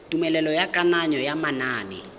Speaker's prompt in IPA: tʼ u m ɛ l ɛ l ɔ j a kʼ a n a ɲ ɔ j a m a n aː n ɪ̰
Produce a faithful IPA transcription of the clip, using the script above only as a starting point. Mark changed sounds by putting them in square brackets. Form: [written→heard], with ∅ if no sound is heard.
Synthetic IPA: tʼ u m ɛ l ɛ l ɔ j a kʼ a n a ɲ ɔ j a m a n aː n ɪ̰